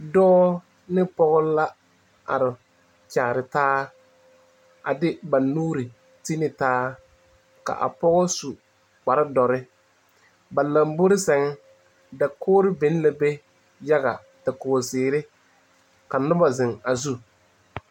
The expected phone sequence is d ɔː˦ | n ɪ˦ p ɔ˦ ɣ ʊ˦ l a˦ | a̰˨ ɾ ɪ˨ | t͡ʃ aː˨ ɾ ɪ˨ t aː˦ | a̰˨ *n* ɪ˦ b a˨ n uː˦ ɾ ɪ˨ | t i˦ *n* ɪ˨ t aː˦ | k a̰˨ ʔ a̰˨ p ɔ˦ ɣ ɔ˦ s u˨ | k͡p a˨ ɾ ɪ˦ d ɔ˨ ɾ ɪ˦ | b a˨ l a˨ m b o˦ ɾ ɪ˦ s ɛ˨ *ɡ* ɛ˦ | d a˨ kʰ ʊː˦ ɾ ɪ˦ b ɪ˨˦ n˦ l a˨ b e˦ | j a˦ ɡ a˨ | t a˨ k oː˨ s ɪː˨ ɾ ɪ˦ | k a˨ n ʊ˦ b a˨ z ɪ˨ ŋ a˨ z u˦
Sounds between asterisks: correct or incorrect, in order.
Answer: incorrect, correct, incorrect

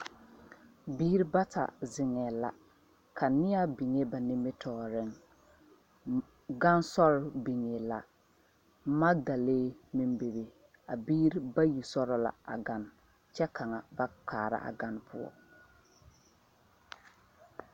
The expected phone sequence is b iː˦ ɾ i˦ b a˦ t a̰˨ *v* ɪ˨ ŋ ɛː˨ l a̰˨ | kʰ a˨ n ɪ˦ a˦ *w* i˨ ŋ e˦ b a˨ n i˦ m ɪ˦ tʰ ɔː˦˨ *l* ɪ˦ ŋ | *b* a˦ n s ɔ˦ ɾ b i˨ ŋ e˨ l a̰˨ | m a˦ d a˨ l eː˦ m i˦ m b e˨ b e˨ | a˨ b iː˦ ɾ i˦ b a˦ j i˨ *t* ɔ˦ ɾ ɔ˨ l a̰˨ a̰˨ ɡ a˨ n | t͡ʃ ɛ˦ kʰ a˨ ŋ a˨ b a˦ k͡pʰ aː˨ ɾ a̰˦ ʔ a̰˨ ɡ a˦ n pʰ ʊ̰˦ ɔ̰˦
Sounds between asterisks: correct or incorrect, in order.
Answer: incorrect, incorrect, incorrect, incorrect, incorrect

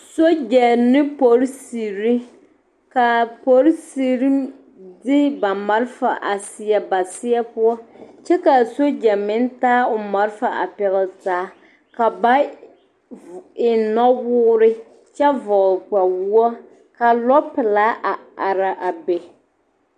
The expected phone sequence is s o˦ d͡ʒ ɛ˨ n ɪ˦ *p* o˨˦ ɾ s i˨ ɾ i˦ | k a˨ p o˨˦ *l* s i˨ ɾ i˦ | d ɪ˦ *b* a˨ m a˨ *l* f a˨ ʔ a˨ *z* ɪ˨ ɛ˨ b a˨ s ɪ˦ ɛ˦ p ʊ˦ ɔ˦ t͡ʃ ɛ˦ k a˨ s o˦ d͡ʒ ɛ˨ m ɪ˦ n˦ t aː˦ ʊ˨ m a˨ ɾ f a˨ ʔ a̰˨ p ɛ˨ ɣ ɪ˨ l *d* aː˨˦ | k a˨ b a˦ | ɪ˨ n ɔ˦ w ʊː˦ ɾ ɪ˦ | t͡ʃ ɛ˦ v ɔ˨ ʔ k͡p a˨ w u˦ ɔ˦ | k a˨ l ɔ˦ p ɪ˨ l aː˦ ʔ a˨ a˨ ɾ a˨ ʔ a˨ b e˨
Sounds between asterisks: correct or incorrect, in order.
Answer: correct, incorrect, correct, incorrect, incorrect, incorrect

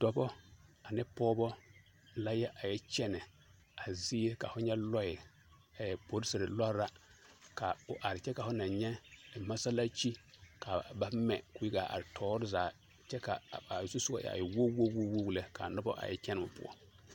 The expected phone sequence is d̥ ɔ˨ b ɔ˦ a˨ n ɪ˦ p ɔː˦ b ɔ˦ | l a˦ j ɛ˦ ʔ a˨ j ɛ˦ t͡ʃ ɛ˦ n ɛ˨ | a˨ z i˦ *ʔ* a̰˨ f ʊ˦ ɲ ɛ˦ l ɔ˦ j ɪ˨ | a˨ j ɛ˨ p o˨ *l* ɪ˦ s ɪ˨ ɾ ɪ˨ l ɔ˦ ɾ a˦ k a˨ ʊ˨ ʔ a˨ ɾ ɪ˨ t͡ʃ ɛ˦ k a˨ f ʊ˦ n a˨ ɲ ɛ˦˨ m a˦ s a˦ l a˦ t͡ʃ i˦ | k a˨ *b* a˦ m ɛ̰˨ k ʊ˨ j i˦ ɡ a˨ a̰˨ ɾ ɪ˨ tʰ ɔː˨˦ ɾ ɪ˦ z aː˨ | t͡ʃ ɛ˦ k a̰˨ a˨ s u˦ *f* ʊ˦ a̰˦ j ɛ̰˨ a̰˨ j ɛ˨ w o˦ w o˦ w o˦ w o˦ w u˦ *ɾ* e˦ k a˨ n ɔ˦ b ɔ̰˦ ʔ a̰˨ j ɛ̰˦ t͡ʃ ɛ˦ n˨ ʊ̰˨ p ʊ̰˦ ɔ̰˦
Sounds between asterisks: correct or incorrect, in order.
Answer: incorrect, incorrect, correct, incorrect, incorrect

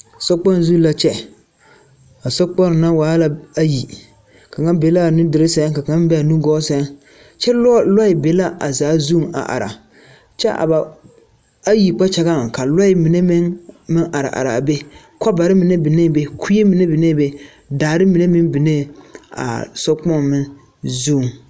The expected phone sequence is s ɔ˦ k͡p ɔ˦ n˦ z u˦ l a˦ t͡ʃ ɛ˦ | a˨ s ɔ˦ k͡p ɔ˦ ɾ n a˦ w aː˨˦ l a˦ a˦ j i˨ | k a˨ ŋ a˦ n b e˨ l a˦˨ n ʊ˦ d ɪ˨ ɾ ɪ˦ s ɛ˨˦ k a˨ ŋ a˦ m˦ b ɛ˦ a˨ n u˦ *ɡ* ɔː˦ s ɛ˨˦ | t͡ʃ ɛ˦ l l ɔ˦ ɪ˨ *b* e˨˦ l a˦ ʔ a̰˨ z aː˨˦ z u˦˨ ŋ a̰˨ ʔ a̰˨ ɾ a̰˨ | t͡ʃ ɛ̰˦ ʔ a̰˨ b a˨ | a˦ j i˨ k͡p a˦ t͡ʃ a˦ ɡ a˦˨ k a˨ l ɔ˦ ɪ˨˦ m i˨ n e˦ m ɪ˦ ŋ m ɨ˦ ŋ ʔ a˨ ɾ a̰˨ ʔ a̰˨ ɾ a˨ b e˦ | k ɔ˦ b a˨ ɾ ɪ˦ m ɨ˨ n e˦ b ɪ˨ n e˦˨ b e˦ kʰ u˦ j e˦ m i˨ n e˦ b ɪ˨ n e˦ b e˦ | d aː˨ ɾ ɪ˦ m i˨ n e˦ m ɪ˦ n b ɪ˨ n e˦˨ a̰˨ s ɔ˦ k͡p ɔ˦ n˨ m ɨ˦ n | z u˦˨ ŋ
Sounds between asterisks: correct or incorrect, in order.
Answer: correct, correct

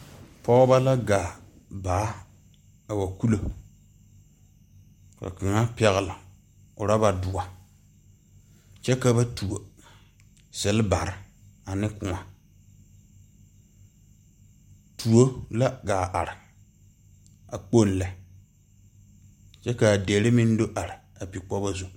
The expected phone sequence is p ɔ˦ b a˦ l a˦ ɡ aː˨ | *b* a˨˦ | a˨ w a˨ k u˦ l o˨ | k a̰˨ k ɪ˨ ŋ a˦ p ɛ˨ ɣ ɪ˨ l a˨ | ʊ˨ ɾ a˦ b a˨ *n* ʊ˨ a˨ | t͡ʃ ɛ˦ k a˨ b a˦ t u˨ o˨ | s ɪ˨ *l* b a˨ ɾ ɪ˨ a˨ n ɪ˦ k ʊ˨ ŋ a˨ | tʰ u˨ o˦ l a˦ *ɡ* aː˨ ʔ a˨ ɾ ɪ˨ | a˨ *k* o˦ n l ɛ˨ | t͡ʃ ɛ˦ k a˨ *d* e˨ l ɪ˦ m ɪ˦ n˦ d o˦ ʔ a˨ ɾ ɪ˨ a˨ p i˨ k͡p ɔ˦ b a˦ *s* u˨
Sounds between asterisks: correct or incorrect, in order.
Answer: correct, incorrect, correct, correct, incorrect, correct, incorrect

